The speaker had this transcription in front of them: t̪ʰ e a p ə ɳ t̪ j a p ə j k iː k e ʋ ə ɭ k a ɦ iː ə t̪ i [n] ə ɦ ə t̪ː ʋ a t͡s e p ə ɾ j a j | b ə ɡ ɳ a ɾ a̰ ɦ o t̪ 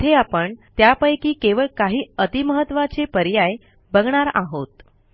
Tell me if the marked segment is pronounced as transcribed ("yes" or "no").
no